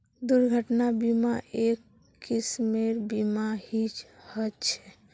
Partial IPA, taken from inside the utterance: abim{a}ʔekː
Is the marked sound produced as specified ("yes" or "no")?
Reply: yes